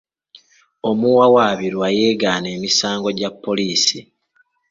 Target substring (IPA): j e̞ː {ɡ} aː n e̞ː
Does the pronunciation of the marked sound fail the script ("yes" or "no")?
no